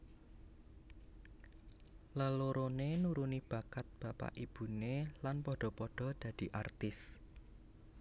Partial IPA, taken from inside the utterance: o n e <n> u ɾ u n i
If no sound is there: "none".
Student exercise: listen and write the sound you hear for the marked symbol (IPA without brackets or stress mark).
n